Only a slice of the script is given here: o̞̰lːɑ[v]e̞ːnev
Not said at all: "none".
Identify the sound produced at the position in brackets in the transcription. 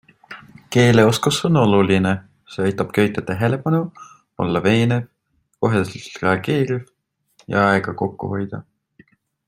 v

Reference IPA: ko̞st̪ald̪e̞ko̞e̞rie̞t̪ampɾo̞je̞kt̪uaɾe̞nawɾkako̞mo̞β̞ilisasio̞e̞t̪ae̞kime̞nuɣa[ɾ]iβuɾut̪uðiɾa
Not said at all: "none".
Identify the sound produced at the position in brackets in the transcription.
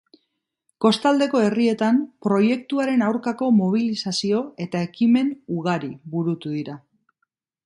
ɾ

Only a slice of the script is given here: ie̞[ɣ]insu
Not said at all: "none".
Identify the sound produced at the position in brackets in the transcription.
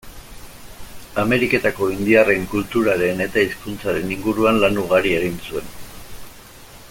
ɣ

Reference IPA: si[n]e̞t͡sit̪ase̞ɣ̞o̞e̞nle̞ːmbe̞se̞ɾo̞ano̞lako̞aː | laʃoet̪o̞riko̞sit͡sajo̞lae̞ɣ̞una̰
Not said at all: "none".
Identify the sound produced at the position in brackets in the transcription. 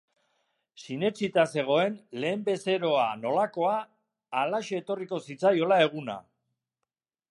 n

